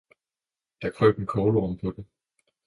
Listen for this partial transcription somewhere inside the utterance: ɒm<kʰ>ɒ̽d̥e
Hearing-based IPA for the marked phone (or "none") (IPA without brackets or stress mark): pʰ